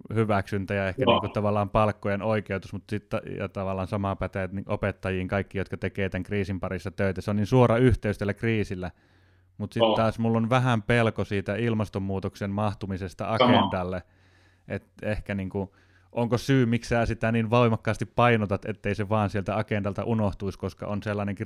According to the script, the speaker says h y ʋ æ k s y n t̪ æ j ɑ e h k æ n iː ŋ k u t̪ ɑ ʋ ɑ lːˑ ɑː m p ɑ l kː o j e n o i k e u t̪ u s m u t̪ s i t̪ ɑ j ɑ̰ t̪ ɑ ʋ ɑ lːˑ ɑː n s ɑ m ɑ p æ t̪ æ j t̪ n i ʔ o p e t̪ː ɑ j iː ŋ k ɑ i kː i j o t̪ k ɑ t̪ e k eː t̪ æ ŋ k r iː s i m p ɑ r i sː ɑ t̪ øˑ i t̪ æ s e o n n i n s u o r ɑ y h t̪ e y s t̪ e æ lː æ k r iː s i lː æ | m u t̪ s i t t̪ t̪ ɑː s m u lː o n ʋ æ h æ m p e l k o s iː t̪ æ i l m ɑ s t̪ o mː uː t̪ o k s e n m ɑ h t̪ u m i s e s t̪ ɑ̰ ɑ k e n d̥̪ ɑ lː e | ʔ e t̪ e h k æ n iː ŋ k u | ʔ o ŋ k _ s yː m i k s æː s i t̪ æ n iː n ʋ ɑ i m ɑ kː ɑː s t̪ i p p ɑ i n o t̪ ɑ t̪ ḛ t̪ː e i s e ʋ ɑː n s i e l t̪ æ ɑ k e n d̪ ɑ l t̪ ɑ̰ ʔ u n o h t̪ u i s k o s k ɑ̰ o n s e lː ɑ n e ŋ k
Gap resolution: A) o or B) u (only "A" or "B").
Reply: A